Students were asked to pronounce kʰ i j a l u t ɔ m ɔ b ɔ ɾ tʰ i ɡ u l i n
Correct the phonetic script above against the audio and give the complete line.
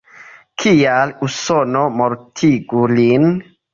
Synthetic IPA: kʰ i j a l u s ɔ n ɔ m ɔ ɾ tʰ i ɡ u l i n